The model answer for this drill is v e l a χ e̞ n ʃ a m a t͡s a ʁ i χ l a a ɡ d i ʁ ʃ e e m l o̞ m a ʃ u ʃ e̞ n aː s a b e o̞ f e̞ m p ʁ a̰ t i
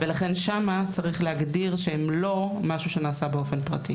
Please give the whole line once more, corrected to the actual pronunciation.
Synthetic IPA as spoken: v e l a χ e̞ n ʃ a m a t͡s a ʁ i χ l e a ɡ d i ʁ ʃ e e m l o̞ m a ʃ u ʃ e̞ n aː s a b e o̞ f e̞ n p ʁ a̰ t i